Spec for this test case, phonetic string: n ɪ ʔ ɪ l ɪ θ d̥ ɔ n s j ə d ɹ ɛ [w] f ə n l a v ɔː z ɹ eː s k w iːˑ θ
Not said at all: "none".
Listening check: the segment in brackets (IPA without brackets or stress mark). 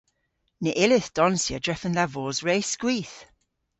none